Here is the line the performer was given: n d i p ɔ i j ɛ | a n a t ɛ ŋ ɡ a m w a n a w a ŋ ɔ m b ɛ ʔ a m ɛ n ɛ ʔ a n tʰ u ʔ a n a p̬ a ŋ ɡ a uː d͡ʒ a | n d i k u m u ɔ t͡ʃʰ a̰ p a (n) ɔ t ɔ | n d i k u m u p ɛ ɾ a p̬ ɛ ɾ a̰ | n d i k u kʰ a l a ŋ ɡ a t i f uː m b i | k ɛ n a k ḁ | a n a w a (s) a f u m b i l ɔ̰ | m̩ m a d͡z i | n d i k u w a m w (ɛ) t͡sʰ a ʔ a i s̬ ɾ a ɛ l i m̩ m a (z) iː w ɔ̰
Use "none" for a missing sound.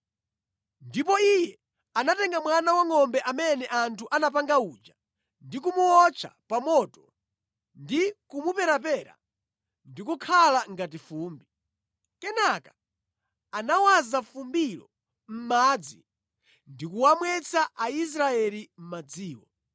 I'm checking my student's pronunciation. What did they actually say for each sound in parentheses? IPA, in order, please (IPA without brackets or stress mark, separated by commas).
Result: m, z, ɛ, d͡z